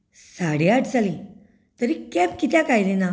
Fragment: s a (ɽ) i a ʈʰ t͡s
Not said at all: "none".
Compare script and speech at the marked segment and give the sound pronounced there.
ɽ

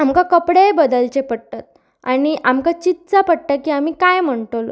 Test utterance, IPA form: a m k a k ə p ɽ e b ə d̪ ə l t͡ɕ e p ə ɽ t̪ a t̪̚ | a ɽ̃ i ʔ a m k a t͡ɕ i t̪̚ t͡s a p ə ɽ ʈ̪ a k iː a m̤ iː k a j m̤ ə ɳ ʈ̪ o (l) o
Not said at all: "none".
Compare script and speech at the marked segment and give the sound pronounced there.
l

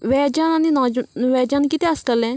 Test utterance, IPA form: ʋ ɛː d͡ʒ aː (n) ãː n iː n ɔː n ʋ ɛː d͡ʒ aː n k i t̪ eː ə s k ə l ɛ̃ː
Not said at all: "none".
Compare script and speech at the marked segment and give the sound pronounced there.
n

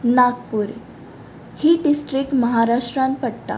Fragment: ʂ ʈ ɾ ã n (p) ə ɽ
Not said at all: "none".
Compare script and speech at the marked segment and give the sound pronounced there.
p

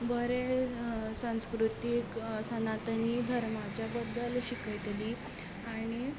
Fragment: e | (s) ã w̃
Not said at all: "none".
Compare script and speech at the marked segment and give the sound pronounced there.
s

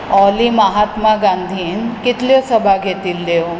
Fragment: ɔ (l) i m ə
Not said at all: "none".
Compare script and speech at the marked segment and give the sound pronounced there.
l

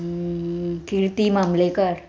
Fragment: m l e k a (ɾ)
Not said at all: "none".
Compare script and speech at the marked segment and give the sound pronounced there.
ɾ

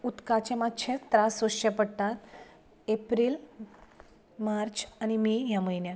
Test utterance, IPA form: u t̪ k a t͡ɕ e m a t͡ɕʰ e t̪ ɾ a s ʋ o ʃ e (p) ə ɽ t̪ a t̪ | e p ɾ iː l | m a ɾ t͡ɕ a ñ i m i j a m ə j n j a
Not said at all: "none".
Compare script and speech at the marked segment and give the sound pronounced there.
p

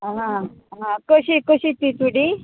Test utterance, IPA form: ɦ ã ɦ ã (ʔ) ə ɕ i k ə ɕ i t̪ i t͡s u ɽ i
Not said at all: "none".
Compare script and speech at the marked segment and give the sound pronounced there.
k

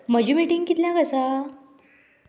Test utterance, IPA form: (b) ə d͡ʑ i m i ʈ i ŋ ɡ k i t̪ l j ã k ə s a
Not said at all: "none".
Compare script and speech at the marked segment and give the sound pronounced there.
m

